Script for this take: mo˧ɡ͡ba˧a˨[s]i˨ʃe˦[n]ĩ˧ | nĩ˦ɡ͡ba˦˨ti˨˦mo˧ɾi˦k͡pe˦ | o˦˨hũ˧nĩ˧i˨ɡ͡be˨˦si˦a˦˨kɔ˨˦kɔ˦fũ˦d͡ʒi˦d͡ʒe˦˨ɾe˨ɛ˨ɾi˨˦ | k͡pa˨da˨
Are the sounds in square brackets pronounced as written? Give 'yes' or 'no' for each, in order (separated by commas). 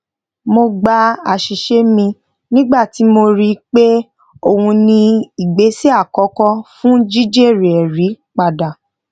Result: no, no